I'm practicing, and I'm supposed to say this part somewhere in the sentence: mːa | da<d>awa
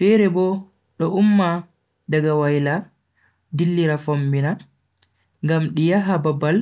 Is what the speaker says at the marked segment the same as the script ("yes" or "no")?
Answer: no